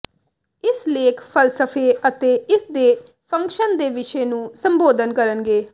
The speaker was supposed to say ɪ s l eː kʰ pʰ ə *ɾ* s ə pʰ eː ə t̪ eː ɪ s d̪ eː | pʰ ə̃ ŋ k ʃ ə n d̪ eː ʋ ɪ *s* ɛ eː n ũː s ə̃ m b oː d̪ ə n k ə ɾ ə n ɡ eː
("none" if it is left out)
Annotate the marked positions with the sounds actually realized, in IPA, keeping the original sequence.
l, ʃ

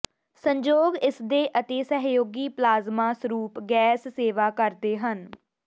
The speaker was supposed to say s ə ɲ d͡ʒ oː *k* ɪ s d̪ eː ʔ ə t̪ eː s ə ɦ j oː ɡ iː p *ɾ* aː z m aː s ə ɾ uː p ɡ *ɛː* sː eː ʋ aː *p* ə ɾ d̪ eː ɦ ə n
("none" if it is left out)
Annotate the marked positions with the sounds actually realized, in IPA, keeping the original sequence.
ɡ, l, ɛː, k

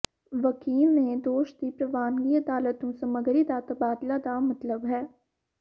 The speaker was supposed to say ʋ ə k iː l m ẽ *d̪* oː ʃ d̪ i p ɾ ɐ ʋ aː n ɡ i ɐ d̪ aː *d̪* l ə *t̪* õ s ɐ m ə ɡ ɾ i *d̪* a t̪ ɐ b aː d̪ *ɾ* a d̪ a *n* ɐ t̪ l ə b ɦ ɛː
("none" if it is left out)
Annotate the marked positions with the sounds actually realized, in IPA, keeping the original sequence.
d̪, none, t̪, d̪, l, m

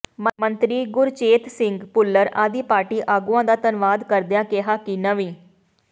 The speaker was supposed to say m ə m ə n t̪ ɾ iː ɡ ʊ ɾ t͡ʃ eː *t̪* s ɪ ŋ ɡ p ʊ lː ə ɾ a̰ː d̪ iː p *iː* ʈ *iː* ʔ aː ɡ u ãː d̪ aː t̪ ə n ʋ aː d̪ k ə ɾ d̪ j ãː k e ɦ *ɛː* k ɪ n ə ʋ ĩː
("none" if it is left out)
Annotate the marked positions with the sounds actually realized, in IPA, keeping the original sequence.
t̪, aː, iː, aː

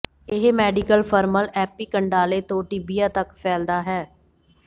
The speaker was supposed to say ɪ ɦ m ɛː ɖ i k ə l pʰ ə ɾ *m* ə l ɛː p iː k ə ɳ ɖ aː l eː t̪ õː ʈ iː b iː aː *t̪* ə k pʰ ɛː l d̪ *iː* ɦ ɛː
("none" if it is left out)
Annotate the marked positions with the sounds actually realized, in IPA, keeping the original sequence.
m, t̪, aː

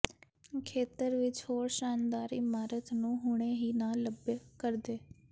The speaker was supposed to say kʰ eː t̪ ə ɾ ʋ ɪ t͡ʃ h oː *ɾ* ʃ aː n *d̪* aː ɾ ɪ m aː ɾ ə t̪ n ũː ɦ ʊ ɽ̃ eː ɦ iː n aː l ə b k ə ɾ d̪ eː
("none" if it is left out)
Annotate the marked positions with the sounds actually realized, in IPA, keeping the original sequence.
ɾ, d̪

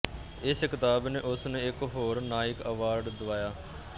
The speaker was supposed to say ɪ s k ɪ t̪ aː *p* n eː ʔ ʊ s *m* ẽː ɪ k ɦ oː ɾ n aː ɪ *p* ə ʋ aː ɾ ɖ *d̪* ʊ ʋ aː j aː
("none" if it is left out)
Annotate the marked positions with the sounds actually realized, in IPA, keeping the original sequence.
b, n, k, d̪

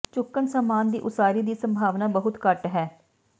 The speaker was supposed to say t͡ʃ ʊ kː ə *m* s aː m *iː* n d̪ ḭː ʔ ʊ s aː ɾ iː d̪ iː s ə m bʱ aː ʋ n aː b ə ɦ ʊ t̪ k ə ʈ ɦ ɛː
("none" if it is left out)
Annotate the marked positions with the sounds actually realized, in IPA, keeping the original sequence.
n, aː

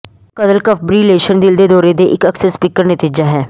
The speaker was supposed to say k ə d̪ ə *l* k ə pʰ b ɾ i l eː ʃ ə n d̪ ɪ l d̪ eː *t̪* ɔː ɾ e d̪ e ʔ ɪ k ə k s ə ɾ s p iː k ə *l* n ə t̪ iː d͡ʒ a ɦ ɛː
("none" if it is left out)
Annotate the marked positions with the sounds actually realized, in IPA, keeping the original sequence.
l, d̪, ɾ

